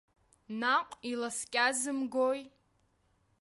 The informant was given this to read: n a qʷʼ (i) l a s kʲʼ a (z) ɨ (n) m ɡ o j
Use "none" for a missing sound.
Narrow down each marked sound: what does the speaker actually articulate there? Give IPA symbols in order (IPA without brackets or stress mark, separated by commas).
i, z, none